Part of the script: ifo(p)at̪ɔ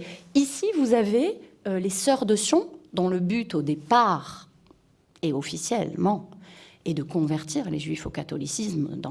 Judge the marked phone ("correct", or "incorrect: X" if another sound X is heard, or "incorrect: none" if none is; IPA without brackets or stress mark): incorrect: k